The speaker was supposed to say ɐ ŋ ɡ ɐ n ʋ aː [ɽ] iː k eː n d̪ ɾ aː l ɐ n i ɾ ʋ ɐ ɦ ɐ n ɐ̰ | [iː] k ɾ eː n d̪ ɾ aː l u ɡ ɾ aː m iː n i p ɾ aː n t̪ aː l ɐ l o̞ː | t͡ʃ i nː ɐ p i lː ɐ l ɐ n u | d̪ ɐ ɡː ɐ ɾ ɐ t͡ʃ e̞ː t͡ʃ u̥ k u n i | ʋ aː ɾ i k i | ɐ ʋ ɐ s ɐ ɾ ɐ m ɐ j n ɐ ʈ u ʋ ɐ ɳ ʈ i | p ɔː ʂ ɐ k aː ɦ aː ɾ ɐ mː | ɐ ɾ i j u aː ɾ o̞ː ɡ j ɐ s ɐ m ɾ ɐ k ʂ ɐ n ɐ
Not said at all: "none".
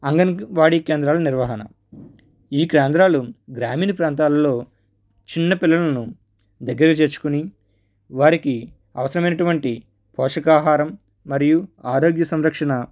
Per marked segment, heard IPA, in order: ɽ, iː

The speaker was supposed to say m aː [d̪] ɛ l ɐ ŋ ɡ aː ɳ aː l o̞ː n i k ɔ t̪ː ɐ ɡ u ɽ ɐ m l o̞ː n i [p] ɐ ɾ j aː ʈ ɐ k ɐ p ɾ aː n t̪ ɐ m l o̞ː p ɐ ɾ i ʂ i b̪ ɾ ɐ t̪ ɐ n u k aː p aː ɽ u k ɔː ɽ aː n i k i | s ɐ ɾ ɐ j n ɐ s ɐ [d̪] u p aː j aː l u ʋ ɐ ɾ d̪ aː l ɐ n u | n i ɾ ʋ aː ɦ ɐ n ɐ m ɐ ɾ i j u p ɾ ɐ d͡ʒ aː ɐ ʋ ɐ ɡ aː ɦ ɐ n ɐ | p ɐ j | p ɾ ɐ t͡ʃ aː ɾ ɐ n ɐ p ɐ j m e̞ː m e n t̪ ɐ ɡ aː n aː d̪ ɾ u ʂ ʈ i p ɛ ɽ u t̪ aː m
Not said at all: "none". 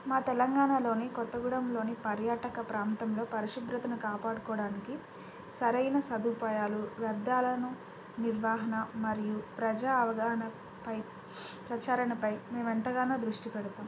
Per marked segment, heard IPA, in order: t̪, p, d̪

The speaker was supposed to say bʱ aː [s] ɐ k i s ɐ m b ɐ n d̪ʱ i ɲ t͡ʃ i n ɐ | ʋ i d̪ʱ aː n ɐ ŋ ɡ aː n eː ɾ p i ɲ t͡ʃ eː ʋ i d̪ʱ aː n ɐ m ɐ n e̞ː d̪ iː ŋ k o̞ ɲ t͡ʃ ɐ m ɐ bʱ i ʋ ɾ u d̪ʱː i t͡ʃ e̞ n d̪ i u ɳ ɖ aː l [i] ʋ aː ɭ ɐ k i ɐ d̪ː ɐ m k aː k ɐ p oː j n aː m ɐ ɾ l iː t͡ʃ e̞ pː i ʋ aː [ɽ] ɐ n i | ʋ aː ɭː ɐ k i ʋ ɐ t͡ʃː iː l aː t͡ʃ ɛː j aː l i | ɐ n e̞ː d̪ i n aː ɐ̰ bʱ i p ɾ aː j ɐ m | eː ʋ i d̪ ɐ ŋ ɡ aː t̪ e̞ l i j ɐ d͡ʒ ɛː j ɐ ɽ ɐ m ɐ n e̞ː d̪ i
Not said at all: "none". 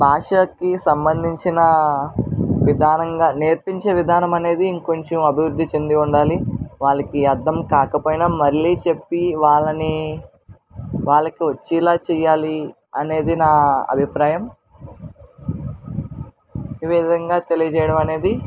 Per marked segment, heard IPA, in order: ʂ, i, ɭ

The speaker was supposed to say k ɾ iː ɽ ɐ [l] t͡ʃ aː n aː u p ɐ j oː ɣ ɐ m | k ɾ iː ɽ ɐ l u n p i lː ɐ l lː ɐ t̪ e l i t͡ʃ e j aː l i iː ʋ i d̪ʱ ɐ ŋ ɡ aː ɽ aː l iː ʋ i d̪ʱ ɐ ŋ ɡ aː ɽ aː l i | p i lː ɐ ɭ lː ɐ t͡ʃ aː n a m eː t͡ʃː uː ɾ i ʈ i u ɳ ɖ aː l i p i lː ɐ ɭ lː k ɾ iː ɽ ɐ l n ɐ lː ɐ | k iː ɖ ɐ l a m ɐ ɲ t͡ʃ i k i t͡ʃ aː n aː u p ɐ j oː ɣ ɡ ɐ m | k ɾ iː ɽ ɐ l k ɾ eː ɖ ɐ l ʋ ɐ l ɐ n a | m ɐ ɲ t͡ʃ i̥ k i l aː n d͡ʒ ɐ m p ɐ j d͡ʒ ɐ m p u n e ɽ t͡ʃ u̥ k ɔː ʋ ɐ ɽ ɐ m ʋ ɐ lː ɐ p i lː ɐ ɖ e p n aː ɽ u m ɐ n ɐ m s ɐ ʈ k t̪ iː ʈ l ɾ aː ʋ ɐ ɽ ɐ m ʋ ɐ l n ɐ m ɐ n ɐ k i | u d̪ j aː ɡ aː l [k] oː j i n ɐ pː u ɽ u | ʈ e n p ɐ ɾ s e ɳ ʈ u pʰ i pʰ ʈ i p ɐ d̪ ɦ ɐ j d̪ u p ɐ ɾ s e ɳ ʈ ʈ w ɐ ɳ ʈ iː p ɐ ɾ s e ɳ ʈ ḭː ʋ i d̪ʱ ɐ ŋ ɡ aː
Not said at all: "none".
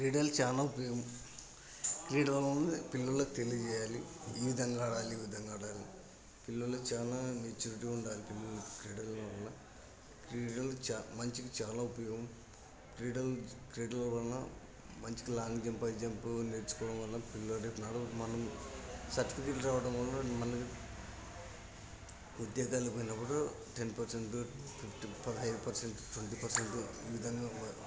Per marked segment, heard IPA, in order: l, p

